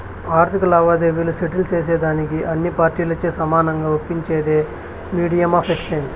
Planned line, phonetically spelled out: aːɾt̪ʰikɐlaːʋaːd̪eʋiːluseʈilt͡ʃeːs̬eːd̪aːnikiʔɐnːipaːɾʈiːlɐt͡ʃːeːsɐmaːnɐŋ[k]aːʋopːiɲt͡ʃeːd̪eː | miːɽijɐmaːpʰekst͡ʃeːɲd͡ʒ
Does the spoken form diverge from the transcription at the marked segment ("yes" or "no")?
yes